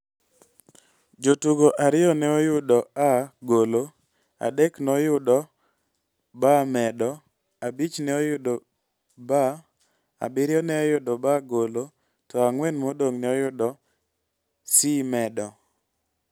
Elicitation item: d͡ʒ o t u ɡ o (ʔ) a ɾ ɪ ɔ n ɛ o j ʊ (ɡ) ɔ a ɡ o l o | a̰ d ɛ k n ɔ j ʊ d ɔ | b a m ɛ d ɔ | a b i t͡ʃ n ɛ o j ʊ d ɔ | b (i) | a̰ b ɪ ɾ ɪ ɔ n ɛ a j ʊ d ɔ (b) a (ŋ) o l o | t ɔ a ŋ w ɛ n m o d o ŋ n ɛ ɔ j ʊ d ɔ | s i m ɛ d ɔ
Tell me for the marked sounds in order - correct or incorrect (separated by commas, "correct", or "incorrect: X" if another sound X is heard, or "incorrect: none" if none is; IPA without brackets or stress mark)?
correct, incorrect: d, incorrect: a, correct, incorrect: ɡ